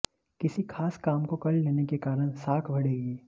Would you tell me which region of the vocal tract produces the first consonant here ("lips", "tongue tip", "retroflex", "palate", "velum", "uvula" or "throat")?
velum